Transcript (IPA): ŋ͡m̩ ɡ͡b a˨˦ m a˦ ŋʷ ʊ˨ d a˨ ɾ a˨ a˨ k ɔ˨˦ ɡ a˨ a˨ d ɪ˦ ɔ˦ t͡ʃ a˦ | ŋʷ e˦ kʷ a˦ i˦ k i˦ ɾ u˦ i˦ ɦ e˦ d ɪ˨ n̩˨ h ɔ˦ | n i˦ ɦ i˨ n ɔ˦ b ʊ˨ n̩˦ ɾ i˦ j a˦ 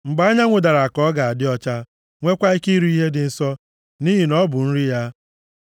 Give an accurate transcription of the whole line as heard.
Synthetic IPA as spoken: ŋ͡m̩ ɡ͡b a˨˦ ɲ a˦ ŋʷ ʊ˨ d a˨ ɾ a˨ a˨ k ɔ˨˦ ɡ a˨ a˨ d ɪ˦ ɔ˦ t͡ʃ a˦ | ŋʷ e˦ kʷ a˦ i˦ k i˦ ɾ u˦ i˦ ɦ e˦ d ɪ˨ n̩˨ s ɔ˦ | n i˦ ɦ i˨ n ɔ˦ b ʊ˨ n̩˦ ɾ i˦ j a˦